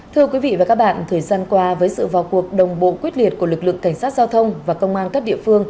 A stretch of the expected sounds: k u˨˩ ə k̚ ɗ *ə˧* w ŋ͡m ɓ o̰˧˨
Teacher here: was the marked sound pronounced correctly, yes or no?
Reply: no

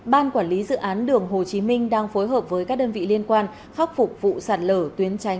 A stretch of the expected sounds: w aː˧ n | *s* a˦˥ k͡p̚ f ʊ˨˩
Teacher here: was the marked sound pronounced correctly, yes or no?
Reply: no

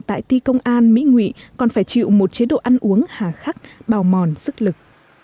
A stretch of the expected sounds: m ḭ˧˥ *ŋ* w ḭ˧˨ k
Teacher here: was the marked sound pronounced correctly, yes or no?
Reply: yes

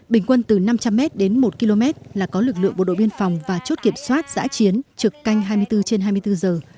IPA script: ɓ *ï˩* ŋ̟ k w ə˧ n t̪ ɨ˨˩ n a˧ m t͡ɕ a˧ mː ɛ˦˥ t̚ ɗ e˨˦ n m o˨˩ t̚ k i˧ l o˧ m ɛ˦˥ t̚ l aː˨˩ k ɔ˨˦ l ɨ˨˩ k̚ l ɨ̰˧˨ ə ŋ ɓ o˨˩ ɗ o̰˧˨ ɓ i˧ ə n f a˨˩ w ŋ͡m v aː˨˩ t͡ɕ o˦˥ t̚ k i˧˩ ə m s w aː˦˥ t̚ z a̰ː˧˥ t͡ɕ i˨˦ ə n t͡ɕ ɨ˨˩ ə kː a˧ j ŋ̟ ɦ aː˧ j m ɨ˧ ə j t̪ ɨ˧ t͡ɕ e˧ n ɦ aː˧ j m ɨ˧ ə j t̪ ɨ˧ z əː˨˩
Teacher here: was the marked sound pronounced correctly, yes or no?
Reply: yes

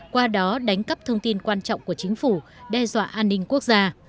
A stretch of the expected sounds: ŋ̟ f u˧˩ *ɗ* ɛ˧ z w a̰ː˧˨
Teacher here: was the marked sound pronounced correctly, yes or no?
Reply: yes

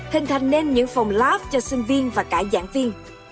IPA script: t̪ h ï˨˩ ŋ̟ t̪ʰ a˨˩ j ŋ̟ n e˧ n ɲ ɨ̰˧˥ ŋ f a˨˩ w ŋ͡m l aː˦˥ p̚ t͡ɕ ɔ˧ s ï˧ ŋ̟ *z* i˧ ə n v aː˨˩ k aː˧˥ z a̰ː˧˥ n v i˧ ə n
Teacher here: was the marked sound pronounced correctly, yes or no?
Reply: no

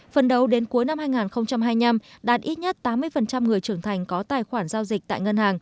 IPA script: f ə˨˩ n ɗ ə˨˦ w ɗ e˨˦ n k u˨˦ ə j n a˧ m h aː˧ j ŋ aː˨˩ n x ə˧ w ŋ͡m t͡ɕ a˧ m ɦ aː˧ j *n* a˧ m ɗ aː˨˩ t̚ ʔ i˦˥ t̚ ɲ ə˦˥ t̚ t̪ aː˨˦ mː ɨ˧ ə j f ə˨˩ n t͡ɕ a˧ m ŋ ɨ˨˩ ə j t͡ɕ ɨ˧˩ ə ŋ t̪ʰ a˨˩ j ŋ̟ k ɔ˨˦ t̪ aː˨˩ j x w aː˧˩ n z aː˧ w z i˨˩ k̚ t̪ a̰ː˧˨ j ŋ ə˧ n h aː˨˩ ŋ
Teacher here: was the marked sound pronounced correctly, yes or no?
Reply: no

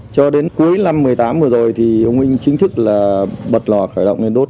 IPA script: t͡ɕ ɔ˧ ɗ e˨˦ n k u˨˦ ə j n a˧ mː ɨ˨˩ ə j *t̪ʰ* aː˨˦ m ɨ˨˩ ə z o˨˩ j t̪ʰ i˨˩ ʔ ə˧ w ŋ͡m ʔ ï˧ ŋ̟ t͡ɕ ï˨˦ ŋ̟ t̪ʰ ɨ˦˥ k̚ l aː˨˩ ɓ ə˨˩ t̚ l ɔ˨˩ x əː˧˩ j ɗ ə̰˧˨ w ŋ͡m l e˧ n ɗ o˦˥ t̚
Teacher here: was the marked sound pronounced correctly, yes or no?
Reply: no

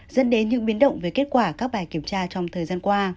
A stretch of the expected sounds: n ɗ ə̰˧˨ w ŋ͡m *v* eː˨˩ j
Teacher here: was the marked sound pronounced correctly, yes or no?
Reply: yes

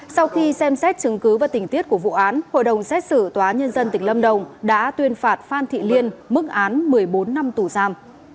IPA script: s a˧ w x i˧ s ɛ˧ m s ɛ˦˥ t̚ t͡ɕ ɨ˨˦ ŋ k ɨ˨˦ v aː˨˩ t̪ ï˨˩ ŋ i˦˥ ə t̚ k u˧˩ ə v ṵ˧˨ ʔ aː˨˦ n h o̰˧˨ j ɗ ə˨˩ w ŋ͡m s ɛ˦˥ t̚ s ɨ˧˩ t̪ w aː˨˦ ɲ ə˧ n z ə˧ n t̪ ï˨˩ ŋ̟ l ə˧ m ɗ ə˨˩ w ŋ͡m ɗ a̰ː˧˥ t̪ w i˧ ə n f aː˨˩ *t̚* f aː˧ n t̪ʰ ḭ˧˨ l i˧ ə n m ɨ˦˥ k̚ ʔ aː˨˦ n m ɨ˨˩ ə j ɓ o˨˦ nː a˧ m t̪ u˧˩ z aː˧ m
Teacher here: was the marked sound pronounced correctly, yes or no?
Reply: yes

